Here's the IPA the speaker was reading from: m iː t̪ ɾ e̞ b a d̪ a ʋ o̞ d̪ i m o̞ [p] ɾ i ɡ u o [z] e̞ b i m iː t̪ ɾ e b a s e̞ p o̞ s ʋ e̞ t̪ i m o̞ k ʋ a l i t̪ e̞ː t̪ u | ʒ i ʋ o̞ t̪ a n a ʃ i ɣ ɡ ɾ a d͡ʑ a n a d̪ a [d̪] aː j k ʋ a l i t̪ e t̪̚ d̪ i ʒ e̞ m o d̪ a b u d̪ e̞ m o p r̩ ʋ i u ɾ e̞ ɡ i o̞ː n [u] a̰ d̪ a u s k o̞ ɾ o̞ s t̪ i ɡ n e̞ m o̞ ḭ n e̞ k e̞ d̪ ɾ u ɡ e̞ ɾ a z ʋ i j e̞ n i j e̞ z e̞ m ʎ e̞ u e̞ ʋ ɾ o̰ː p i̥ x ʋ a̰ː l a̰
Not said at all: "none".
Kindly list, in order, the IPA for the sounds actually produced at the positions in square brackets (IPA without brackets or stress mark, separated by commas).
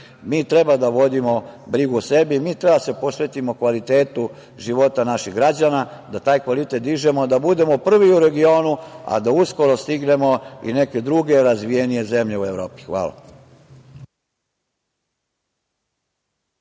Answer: b, s, t̪, u